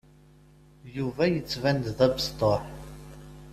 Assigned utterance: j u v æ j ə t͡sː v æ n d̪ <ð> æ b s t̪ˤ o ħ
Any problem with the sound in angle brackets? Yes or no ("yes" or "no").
no